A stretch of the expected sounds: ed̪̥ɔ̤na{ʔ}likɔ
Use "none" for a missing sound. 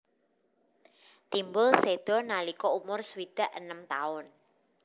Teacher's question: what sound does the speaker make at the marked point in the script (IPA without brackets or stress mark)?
none